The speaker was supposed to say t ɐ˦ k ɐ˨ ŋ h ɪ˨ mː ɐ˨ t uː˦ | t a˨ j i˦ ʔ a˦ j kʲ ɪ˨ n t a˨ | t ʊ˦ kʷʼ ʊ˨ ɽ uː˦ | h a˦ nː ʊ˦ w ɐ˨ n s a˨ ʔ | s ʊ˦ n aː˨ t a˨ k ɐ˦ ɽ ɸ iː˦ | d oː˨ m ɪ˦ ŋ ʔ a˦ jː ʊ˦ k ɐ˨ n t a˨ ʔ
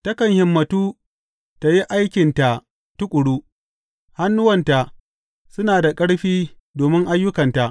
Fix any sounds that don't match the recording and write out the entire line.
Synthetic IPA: t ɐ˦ k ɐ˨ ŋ h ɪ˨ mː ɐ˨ t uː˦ | t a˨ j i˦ ʔ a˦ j kʲ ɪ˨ n t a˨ | t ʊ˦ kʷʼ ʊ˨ ɽ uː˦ | h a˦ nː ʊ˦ w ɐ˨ n t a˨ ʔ | s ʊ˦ n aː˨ d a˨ kʼ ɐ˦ ɽ ɸ iː˦ | d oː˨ m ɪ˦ ŋ ʔ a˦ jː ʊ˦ k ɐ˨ n t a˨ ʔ

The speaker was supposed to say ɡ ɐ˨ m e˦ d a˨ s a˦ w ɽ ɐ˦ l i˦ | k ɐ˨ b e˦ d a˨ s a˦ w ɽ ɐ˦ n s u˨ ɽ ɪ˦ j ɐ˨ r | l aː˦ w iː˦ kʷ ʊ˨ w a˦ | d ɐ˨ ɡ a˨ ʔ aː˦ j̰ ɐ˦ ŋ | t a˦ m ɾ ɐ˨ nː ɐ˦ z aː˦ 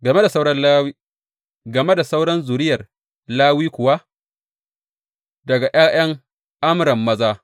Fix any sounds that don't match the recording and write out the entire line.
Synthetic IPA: ɡ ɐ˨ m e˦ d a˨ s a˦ w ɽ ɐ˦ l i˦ | ɡ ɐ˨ m e˦ d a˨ s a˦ w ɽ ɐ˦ n z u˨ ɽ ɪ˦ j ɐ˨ r | l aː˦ w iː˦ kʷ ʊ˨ w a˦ | d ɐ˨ ɡ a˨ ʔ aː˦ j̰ ɐ˦ ŋ | ʔ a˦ m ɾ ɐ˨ mː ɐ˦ z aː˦

